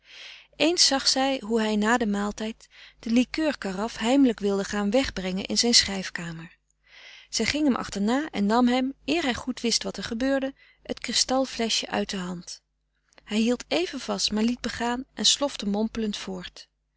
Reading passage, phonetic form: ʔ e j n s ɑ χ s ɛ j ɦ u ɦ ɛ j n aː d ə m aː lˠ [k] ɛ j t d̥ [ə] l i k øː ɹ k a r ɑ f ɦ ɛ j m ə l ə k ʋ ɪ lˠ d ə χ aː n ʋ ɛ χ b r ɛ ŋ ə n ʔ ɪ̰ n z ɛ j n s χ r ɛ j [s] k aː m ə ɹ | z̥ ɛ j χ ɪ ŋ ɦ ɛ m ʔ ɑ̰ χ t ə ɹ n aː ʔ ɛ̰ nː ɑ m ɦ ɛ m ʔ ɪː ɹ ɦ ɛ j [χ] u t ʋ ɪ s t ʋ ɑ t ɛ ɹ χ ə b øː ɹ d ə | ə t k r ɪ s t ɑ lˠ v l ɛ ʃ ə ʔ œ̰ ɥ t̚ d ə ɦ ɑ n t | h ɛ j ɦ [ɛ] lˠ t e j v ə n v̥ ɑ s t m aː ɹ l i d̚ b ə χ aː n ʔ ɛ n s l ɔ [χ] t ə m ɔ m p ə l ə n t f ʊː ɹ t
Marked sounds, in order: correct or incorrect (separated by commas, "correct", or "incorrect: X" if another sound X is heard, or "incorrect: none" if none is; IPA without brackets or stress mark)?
incorrect: t, correct, incorrect: f, correct, incorrect: i, incorrect: f